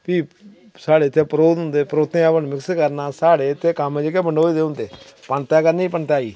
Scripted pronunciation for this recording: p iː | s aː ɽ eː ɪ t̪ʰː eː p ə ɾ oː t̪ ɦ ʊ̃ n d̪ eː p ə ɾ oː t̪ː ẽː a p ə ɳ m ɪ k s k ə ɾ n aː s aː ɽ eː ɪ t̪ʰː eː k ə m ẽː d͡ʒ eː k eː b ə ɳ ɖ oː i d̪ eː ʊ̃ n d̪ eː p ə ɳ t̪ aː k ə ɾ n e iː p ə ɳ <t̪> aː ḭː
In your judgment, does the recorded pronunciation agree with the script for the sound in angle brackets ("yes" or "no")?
yes